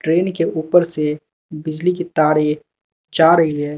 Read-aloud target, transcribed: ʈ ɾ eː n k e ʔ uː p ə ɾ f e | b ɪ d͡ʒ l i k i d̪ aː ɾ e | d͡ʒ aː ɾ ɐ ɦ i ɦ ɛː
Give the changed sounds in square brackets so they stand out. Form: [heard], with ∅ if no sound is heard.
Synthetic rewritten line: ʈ ɾ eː n k e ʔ uː p ə ɾ [s] e | b ɪ d͡ʒ l i k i [t̪] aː ɾ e | d͡ʒ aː ɾ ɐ ɦ i ɦ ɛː